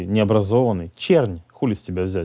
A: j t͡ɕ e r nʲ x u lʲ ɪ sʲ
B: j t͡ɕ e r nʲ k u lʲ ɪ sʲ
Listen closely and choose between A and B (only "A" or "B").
A